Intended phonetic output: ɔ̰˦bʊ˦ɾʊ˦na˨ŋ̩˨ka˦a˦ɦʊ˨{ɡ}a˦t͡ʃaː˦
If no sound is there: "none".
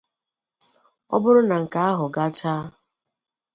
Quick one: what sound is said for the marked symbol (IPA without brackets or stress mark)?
ɡ